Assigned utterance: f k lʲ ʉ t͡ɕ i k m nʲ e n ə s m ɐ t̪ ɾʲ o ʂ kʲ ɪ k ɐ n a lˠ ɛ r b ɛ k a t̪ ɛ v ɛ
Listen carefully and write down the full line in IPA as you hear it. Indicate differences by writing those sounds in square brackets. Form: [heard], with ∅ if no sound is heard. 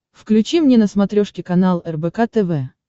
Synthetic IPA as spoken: f k lʲ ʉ t͡ɕ i [∅] m nʲ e n ə s m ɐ t̪ ɾʲ o ʂ kʲ ɪ k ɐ n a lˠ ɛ r b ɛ k a t̪ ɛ v ɛ